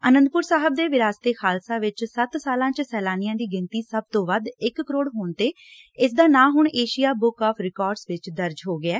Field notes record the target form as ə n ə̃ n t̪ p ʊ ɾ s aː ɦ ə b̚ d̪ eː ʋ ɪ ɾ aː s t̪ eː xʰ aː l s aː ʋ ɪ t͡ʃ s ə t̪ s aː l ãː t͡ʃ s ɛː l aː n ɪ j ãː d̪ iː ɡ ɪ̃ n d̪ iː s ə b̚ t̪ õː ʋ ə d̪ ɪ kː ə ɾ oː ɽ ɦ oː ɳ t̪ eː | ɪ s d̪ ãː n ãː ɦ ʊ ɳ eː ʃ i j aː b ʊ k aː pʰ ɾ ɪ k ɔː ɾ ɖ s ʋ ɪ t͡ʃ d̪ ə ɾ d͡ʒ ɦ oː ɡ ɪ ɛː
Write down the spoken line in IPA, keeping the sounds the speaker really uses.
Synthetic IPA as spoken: ə n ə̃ n d̪ p ʊ ɾ s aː ɦ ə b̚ d̪ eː ʋ ɪ ɾ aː s t̪ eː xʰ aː l s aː ʋ ɪ t͡ʃ s ə t̪ s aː l ãː t͡ʃ s ɛː l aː n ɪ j ãː d̪ iː ɡ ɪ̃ n t̪ iː s ə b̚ t̪ õː ʋ ə d̪ ɪ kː ə ɾ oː ɽ ɦ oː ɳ t̪ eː | ɪ s d̪ aː n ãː ɦ ʊ ɳ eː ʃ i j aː b ʊ k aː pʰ ɾ ɪ k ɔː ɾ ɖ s ʋ ɪ t͡ʃ d̪ ə ɾ d͡ʒ ɦ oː ɡ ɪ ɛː